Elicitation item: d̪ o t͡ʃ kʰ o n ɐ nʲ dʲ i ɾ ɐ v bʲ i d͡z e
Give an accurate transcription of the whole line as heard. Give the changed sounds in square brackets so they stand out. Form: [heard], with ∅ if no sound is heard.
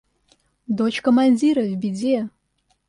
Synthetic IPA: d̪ o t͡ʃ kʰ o [m] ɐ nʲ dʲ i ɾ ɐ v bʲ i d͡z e